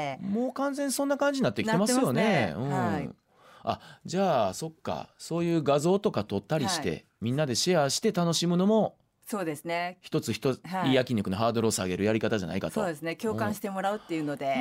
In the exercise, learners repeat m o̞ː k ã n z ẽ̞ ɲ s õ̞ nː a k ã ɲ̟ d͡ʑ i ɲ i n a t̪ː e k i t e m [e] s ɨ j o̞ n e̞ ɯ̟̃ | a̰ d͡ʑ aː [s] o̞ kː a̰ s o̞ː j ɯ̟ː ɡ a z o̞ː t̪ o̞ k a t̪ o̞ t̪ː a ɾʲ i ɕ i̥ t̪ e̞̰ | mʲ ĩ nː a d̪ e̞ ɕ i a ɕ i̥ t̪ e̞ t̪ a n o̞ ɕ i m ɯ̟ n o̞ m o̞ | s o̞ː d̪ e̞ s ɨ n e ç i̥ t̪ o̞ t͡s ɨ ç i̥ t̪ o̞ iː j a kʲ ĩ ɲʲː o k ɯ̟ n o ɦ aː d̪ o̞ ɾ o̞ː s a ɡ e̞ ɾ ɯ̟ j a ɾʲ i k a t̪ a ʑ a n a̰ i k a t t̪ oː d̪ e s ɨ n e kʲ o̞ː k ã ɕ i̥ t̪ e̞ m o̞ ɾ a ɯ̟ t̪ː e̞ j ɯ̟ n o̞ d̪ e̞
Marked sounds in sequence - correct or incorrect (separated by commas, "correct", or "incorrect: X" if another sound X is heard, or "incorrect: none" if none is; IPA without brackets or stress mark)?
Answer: incorrect: a, correct